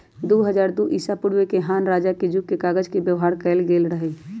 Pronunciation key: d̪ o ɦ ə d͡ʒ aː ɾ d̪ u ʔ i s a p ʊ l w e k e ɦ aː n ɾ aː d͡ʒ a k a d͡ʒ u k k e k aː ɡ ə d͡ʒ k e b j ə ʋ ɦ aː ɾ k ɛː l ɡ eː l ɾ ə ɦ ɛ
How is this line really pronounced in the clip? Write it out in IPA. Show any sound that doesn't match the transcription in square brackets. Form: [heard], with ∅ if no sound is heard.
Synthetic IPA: d̪ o ɦ ə d͡ʒ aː ɾ d̪ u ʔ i s a p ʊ [ɽ] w e k e ɦ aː n ɾ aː d͡ʒ a k [e] d͡ʒ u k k e k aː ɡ ə d͡ʒ k e b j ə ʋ ɦ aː ɾ k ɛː l ɡ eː l ɾ ə ɦ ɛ

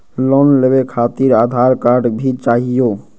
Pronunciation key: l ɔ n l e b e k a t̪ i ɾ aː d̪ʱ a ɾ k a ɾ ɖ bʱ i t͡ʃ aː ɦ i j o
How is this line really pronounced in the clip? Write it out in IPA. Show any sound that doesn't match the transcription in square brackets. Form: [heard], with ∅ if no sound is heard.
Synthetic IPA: l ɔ n l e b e [kʰ] a t̪ i ɾ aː d̪ʱ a ɾ k a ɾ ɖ bʱ i t͡ʃ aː ɦ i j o

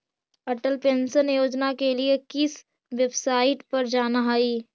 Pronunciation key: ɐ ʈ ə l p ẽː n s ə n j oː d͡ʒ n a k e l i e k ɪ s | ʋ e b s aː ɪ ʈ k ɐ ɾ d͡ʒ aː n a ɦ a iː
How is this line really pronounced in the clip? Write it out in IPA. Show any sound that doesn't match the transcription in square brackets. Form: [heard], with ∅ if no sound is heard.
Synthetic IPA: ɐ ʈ ə l p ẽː n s ə n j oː d͡ʒ n a k e l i e k ɪ s | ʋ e b s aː ɪ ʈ [p] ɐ ɾ d͡ʒ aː n a ɦ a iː

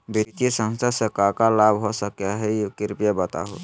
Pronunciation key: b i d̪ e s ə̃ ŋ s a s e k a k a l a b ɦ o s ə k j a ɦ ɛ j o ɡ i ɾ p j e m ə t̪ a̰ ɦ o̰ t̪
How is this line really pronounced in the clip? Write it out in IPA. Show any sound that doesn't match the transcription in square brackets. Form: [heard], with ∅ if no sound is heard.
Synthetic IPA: b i [t̪] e s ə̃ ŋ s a s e k a k a l a b ɦ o s ə k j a ɦ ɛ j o [k] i ɾ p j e [b] ə t̪ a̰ ɦ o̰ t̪

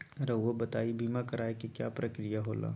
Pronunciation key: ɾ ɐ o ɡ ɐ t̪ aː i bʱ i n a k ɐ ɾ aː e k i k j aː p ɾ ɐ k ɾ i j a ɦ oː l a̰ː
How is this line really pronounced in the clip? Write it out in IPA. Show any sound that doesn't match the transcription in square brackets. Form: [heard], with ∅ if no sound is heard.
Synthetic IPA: ɾ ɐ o [b] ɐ t̪ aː i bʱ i [m] a k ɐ ɾ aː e k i k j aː p ɾ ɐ k ɾ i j a ɦ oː l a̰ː

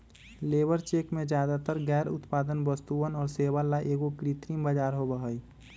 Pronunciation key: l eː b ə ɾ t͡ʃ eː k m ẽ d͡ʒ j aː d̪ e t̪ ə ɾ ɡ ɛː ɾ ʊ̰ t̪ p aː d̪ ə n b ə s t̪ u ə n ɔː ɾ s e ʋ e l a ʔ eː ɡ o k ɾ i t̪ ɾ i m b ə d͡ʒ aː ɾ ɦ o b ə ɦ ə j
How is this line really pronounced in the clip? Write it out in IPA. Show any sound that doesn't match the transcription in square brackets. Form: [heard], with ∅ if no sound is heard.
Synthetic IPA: l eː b ə ɾ t͡ʃ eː k m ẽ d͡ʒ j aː d̪ [a] t̪ ə ɾ ɡ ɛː ɾ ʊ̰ t̪ p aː d̪ ə n b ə s t̪ u ə n ɔː ɾ s e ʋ [a] l a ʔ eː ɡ o k ɾ i t̪ ɾ i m b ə d͡ʒ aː ɾ ɦ o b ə ɦ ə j

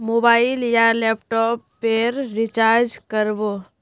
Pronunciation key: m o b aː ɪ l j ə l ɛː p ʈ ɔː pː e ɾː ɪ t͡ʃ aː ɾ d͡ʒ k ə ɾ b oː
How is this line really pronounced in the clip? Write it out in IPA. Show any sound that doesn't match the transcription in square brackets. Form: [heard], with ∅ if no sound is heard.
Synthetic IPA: m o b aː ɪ l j [a] l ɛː p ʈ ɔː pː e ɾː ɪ t͡ʃ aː ɾ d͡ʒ k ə ɾ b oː

